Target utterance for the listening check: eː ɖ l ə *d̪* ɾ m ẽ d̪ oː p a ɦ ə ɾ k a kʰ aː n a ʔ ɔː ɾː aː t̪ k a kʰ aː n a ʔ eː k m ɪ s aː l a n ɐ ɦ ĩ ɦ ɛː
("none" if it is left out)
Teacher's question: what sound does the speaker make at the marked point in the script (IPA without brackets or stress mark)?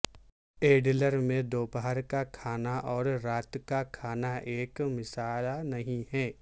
none